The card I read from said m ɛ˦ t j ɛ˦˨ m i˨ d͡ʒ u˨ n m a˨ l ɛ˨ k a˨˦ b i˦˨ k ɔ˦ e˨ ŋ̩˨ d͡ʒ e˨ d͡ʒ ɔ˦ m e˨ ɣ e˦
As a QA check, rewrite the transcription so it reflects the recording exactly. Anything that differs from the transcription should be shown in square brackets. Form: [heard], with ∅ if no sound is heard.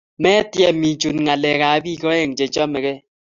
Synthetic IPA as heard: m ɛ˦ t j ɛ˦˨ m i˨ d͡ʒ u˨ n [ŋ] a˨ l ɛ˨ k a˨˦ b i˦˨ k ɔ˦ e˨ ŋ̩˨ d͡ʒ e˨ d͡ʒ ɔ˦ m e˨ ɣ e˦